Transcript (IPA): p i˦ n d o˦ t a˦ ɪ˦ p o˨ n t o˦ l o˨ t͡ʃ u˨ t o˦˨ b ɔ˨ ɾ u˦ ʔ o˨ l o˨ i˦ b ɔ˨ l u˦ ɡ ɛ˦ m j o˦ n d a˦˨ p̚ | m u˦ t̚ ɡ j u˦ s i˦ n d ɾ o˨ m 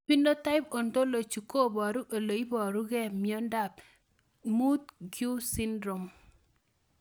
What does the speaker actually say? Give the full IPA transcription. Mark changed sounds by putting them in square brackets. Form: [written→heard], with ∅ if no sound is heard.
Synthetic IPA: p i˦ n d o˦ t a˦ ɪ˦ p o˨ n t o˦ l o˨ t͡ʃ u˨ [t→k] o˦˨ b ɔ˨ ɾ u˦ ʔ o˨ l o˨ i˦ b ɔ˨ [l→ɾ] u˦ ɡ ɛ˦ m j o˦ n d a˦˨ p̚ | m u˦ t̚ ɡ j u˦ s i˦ n d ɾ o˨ m

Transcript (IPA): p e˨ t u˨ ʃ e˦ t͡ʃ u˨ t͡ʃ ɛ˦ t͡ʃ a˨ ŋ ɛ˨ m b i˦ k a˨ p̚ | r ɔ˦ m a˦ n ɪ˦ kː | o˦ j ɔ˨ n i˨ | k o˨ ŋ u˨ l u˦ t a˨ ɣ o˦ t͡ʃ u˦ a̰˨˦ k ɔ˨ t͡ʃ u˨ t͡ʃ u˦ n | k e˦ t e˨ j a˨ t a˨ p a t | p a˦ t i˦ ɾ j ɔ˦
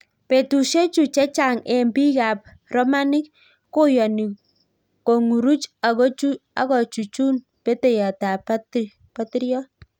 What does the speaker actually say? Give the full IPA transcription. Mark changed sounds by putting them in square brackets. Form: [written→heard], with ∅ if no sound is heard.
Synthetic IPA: p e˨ t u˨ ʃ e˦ t͡ʃ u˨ t͡ʃ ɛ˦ t͡ʃ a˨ ŋ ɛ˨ m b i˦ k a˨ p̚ | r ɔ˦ m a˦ n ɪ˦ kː | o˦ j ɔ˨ n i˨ | k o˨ ŋ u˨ [l→ɾ] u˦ [t→t͡ʃ] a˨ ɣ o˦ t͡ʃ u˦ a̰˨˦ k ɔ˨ t͡ʃ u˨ t͡ʃ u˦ n | [k→p] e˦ t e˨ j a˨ t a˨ p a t | p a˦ t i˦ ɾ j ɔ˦

